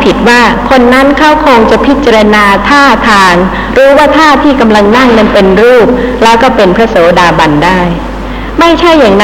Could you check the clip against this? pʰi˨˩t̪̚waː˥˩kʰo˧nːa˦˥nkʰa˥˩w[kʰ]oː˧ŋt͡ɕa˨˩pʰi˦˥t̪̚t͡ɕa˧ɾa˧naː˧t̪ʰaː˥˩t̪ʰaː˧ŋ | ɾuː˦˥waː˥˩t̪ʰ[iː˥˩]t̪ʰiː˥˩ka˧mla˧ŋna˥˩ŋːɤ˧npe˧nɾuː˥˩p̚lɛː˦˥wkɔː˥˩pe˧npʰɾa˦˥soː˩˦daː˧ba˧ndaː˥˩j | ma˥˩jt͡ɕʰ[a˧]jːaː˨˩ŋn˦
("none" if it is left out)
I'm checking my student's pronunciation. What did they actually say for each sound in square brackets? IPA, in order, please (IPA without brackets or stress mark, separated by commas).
kʰ, aː˥˩, a˥˩